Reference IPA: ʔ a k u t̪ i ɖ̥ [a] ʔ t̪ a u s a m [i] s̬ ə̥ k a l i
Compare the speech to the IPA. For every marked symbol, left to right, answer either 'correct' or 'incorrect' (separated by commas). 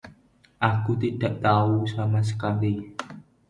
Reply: correct, incorrect